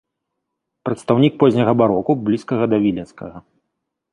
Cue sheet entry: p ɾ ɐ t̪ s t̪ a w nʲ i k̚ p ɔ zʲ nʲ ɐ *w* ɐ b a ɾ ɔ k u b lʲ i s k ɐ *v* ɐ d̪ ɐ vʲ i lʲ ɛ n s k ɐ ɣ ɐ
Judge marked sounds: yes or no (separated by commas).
no, no